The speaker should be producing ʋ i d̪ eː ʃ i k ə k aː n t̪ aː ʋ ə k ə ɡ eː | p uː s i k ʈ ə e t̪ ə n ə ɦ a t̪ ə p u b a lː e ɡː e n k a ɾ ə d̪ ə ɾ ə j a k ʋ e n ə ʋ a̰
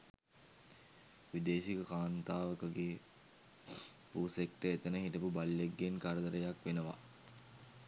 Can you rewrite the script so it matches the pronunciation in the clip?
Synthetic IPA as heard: ʋ i d̪ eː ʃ i k ə k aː n t̪ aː ʋ ə k ə ɡ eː | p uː s e k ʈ ə e t̪ ə n ə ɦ i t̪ ə p u b a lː e ɡː e n k a ɾ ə d̪ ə ɾ ə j a k ʋ e n ə ʋ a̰